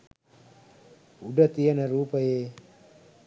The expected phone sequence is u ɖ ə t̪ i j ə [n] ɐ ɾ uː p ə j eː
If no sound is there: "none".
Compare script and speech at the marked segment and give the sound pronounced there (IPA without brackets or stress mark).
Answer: n